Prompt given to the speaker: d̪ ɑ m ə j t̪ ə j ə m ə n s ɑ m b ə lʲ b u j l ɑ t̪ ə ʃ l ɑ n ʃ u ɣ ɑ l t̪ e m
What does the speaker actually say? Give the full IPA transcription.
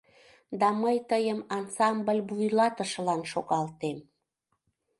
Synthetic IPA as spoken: d̪ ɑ m ə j t̪ ə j ə m ɑ n s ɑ m b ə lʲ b u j l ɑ t̪ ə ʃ l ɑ n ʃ o ɣ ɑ l t̪ e m